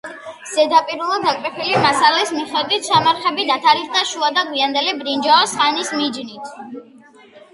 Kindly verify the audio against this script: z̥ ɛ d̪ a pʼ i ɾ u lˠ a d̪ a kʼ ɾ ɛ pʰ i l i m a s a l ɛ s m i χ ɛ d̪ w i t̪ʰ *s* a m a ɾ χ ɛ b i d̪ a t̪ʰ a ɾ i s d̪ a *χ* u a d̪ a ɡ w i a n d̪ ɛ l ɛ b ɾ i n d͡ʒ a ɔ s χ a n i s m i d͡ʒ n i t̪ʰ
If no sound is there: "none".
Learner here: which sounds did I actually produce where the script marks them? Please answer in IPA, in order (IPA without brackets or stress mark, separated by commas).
s, ʃ